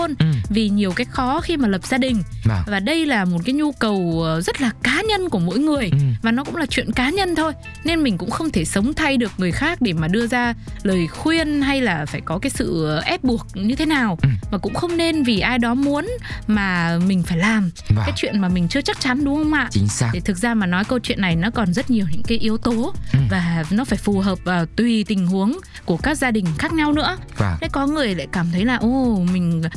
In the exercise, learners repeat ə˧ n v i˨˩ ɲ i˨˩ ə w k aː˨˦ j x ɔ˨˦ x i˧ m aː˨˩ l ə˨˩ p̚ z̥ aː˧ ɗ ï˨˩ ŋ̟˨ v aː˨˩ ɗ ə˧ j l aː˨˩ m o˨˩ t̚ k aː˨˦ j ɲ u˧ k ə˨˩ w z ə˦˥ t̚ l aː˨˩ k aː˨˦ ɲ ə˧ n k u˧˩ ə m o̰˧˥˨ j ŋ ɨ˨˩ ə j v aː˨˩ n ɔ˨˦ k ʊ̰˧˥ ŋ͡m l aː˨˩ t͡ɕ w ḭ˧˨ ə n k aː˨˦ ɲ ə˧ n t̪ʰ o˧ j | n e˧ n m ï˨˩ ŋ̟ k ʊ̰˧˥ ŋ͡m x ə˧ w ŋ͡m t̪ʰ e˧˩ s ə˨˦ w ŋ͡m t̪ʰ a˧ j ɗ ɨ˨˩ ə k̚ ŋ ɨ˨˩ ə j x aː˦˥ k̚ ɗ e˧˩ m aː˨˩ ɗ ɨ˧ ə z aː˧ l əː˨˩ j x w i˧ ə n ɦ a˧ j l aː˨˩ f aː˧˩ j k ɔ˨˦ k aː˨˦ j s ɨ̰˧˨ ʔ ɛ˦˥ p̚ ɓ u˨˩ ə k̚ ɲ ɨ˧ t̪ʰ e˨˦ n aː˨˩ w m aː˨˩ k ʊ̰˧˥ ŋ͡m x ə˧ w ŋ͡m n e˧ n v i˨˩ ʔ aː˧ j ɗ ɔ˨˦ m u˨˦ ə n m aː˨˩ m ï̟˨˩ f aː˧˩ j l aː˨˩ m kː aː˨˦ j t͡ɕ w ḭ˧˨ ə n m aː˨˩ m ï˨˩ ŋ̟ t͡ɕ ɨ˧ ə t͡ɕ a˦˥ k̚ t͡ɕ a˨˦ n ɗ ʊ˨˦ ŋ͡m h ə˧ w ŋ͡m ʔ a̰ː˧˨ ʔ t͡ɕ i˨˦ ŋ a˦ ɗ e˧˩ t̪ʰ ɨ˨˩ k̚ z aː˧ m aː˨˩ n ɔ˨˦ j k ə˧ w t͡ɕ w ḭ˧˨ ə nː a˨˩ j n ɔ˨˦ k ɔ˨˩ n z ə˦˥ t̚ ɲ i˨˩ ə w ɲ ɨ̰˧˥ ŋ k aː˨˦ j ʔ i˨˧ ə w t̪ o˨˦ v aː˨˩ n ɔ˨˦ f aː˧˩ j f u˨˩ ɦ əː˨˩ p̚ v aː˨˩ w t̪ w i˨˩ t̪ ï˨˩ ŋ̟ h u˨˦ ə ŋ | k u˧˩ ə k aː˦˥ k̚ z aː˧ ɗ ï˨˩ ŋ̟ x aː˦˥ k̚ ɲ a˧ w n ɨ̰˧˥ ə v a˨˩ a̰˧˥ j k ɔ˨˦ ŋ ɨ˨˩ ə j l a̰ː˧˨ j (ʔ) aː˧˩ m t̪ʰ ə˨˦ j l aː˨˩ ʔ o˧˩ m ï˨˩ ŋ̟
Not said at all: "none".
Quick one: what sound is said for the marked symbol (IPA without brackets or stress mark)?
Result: k